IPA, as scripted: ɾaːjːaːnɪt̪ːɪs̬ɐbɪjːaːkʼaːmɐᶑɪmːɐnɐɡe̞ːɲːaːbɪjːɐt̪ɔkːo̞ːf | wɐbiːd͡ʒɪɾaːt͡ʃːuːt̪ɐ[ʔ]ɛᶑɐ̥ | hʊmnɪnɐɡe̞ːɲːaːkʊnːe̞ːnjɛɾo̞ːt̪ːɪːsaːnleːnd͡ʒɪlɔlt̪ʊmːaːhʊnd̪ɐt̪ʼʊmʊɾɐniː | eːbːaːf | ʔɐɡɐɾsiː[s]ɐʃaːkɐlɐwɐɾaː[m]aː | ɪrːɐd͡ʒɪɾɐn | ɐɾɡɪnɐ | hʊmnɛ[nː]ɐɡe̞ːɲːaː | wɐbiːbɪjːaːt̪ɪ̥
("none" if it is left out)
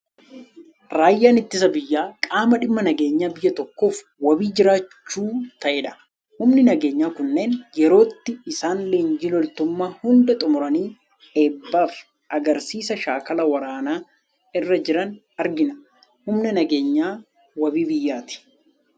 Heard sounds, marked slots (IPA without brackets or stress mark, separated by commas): ʔ, s, n, n